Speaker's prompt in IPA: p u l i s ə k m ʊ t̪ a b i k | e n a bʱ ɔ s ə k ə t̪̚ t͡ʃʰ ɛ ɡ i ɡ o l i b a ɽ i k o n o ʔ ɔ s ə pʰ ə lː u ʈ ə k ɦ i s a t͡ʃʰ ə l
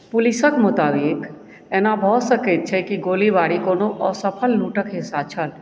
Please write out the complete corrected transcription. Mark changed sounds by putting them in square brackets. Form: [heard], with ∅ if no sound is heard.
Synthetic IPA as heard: p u l i s ə k m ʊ t̪ a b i k | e n a bʱ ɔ s ə k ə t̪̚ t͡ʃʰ ɛ [k] i ɡ o l i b a ɽ i k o n o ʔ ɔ s ə pʰ ə lː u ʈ ə k ɦ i s a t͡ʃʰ ə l